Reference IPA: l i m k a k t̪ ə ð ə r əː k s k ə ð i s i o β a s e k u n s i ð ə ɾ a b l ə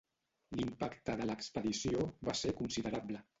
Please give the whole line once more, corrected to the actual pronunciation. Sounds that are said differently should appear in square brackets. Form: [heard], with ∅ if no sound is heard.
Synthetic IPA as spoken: l i m [p] a k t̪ ə ð ə [l] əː k s [p] ə ð i s i o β a s e k u n s i ð ə ɾ a b l ə